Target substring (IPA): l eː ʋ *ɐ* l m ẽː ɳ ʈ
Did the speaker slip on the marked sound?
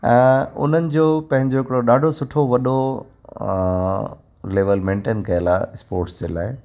yes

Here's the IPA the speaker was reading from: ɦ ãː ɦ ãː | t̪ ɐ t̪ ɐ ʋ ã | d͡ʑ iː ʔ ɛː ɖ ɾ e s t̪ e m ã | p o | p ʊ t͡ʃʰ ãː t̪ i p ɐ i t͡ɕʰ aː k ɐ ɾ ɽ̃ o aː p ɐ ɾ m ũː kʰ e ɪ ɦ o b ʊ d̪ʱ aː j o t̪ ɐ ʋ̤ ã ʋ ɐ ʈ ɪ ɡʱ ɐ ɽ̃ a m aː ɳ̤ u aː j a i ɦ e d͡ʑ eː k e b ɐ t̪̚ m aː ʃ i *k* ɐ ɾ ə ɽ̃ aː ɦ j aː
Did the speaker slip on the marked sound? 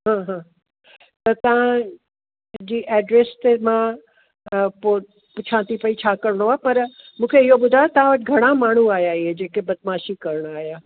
no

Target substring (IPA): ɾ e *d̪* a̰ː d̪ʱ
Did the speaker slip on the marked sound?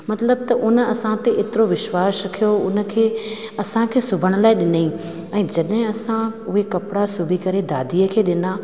no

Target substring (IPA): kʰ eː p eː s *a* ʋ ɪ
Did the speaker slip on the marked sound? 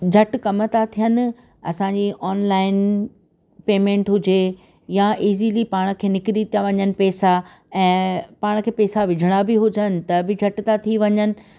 no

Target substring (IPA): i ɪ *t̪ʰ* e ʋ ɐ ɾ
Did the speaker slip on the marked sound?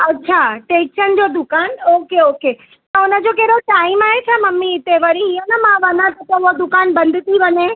yes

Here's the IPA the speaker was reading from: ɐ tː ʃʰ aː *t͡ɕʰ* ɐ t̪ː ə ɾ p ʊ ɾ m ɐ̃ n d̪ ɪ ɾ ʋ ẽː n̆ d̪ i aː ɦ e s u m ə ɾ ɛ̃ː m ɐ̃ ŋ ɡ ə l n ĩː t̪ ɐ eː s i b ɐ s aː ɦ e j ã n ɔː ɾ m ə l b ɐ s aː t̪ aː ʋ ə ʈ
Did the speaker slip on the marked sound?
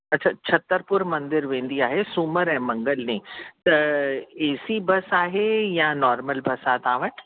no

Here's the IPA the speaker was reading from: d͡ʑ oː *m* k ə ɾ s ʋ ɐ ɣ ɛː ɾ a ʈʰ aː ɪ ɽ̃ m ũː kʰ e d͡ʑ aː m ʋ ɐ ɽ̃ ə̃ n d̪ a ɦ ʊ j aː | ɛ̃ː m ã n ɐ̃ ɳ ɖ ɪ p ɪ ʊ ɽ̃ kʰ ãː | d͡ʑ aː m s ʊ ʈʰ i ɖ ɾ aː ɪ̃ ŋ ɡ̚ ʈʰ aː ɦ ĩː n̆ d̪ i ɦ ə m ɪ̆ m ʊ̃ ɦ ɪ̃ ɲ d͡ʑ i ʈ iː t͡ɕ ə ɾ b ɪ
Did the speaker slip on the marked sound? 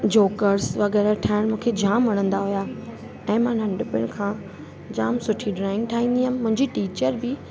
yes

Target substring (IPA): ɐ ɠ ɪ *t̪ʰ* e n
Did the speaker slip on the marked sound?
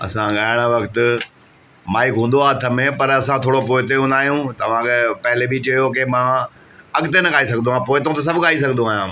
yes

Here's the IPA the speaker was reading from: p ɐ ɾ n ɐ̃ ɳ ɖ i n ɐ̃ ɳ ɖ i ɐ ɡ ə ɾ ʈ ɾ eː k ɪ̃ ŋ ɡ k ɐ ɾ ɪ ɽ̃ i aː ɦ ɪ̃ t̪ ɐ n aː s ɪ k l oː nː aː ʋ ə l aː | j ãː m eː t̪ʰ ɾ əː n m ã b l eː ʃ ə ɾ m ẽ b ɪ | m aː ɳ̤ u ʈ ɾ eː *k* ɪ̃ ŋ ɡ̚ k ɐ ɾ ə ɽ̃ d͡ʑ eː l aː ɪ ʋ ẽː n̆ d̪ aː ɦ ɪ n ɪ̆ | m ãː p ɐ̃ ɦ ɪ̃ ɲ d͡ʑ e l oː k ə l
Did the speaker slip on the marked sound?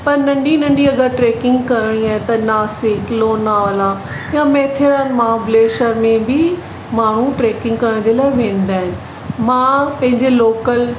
no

